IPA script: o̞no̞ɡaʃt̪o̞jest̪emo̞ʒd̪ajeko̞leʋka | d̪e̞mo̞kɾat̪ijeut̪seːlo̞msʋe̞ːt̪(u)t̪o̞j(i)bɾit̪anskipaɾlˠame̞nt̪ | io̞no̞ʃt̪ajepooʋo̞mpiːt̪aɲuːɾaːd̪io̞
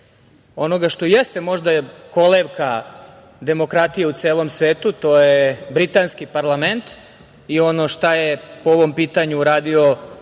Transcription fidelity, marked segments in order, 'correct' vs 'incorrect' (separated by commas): correct, incorrect